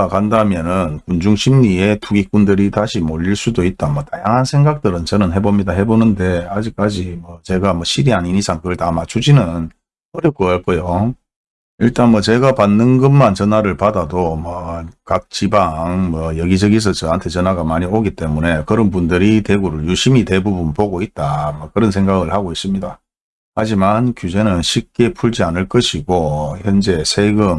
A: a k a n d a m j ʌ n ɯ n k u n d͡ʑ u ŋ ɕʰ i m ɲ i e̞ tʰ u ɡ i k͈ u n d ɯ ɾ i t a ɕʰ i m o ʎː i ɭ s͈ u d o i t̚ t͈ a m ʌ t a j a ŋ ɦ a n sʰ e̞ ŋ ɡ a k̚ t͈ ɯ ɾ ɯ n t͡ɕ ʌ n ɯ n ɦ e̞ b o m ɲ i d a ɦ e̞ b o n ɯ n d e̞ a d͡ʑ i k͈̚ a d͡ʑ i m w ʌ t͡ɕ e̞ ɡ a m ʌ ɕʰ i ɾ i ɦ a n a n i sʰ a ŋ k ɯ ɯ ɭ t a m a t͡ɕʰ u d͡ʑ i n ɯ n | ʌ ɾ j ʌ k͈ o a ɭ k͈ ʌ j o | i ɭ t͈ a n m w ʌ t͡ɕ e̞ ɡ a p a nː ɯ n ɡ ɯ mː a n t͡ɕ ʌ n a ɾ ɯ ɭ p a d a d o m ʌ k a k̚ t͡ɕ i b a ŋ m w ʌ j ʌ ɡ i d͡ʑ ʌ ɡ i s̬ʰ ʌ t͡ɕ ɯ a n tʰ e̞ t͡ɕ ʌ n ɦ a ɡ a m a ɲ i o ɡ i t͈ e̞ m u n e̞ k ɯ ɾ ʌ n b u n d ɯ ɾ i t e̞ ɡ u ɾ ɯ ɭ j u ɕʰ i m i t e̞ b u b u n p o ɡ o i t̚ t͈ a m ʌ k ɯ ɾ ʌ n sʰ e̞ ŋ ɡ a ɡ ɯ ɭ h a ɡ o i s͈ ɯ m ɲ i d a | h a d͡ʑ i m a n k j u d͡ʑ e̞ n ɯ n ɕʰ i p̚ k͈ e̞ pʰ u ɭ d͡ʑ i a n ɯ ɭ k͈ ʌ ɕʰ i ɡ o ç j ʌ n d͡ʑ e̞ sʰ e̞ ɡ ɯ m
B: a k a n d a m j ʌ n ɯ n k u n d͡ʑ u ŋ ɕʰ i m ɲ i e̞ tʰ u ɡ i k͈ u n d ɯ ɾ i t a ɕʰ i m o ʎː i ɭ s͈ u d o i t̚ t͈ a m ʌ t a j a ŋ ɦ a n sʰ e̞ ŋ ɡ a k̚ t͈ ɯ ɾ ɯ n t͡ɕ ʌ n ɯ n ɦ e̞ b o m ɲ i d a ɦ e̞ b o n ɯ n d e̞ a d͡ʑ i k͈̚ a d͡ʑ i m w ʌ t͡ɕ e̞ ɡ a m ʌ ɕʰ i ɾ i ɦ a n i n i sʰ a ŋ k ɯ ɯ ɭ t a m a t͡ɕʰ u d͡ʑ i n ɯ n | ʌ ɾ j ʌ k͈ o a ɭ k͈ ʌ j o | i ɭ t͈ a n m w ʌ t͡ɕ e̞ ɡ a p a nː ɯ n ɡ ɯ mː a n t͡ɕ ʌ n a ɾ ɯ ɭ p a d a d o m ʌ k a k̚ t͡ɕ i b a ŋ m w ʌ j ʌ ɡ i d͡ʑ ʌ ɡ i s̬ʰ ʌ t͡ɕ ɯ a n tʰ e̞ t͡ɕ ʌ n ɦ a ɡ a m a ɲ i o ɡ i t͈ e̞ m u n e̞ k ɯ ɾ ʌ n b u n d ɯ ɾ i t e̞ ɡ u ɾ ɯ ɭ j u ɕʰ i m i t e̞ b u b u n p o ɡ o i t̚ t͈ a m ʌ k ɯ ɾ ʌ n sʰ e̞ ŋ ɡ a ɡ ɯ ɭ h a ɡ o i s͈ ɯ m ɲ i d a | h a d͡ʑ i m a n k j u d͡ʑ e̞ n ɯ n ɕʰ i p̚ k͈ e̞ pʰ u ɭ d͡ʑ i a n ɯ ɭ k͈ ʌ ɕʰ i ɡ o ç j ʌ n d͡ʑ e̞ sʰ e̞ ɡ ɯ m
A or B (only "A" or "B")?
B